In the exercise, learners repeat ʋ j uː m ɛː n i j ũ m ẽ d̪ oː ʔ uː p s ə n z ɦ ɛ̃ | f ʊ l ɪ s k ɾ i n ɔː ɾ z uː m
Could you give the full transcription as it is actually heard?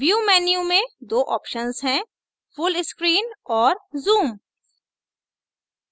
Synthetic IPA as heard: ʋ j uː m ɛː n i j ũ m ẽ d̪ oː ʔ ɔː p ʃ ə n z ɦ ɛ̃ | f ʊ l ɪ s k ɾ iː n ɔː ɾ z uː m